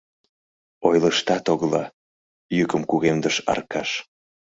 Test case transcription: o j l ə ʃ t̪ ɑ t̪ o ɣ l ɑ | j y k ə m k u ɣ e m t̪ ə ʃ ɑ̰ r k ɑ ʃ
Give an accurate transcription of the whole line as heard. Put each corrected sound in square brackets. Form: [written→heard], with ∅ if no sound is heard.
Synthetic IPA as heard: o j l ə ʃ t̪ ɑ t̪ o ɣ l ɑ | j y k ə m k u ɣ e m [t̪→d̪] ə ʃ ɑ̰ r k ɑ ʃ